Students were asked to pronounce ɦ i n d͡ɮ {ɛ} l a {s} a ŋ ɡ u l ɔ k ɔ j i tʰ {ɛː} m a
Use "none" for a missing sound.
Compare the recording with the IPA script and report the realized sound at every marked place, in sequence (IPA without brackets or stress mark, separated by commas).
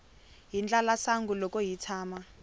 a, s, aː